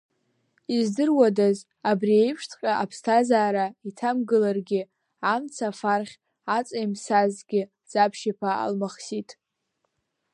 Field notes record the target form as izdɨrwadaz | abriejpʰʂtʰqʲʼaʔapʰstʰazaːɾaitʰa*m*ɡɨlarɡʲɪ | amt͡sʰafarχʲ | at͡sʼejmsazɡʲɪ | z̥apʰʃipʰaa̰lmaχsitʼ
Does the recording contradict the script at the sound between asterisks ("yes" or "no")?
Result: no